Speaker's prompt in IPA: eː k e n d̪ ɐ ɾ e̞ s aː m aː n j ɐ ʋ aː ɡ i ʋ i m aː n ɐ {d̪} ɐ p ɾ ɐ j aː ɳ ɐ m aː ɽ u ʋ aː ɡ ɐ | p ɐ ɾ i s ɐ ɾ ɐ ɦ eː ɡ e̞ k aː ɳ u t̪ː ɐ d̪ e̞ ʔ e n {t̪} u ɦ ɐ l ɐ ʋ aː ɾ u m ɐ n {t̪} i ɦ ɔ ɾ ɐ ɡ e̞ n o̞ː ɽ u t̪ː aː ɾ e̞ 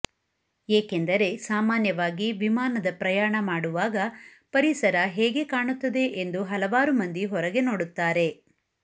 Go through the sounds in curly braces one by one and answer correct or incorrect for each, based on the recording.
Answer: correct, incorrect: d̪, incorrect: d̪

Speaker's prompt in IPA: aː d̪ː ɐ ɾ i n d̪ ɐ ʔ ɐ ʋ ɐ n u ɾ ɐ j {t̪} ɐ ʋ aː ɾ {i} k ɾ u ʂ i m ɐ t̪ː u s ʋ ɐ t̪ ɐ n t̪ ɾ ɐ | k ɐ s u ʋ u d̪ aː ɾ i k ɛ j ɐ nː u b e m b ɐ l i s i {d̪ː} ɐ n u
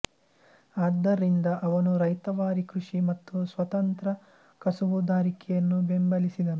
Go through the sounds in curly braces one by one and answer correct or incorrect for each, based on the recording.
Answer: correct, correct, incorrect: d̪

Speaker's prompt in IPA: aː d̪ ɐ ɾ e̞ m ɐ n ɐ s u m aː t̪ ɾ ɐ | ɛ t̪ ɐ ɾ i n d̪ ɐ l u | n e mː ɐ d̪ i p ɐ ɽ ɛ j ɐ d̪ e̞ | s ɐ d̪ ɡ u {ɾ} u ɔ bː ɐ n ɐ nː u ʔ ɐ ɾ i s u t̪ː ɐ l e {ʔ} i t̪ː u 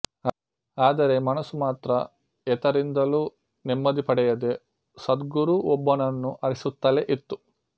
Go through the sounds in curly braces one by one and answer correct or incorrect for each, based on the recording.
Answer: correct, correct

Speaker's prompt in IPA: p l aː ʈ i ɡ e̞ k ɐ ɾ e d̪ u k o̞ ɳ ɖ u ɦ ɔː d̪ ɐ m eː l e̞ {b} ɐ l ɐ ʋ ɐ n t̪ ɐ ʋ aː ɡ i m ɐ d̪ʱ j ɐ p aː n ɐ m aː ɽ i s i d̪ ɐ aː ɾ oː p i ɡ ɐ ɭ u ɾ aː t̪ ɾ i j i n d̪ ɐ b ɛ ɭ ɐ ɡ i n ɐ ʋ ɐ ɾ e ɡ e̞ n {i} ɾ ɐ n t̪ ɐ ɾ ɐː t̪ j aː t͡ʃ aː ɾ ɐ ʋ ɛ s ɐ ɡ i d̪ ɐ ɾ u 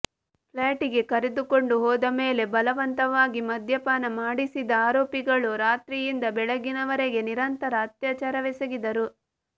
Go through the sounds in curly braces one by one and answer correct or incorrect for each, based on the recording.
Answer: correct, correct

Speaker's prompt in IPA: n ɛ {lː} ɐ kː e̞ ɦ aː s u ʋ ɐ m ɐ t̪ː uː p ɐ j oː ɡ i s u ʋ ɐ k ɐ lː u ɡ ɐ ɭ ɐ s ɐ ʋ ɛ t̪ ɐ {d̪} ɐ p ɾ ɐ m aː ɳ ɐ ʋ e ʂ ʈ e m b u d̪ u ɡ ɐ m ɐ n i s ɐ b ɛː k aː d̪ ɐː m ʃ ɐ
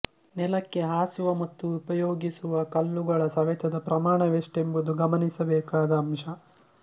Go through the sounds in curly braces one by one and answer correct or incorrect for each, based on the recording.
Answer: incorrect: l, correct

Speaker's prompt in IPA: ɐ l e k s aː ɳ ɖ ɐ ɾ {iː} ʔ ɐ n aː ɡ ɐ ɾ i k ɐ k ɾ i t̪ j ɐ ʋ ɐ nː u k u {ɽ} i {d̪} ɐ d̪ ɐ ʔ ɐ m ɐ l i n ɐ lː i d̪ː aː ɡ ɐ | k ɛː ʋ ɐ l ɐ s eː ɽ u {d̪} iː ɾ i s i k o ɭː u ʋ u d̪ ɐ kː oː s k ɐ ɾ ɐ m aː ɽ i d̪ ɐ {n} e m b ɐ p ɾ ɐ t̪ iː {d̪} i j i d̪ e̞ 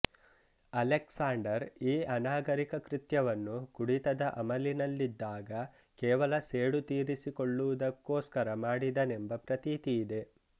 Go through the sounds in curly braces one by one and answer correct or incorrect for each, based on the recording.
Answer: correct, correct, incorrect: t̪, incorrect: t̪, correct, incorrect: t̪

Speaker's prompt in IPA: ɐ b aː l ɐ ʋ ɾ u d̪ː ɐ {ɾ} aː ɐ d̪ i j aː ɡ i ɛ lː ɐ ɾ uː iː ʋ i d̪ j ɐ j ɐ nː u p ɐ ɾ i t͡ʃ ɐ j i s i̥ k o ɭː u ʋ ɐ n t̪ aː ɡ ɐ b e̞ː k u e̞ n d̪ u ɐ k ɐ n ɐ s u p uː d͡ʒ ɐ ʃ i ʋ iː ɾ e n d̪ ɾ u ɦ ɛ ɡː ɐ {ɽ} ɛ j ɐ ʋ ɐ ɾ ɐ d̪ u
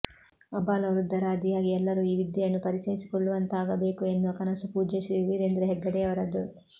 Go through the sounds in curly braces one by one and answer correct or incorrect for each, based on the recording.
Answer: correct, correct

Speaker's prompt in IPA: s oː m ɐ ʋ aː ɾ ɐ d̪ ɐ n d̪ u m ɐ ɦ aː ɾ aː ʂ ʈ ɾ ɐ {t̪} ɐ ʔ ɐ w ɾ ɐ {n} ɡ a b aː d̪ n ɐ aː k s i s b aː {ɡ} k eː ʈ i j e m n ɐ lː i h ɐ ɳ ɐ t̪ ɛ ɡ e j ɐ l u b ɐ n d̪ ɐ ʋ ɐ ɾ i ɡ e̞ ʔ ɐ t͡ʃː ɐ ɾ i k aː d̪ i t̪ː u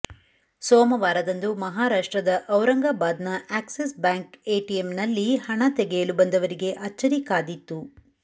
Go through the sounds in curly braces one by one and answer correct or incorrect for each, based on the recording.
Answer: incorrect: d̪, incorrect: ŋ, incorrect: ŋ

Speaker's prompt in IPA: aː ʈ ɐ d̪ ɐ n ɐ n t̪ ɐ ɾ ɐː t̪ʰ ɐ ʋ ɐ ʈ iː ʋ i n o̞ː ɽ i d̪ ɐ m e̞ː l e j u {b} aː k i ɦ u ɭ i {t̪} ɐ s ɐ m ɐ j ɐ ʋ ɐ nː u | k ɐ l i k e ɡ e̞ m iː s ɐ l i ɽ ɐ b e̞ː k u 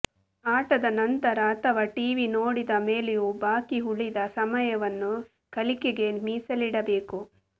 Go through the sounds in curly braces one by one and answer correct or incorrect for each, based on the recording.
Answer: correct, incorrect: d̪

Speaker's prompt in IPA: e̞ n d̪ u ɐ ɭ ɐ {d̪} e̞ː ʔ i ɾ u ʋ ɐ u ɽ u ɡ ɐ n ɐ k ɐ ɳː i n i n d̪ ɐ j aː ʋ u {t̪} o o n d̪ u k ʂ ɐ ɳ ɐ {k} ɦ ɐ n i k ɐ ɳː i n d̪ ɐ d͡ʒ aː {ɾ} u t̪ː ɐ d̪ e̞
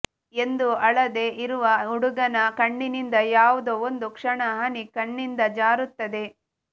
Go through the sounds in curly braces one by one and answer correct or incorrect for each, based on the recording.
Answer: correct, incorrect: d̪, incorrect: none, correct

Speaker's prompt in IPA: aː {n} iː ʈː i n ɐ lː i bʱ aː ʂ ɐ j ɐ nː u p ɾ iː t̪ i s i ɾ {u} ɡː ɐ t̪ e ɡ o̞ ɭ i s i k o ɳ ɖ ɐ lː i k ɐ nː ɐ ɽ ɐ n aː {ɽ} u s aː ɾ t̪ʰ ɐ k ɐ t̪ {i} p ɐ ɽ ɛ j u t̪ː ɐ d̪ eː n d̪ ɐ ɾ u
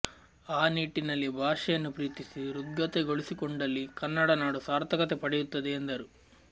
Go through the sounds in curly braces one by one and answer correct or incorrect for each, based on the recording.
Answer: correct, correct, correct, incorrect: e

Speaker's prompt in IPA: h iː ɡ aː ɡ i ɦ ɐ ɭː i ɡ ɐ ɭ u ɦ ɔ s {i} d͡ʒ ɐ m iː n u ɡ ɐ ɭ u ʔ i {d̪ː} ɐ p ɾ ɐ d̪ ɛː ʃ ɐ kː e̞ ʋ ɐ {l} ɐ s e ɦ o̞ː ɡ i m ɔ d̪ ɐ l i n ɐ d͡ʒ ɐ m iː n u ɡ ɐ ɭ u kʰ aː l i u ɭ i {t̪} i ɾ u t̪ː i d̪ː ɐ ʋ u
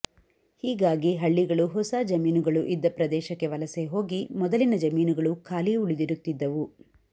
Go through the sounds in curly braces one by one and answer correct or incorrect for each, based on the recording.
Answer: incorrect: a, correct, correct, incorrect: d̪

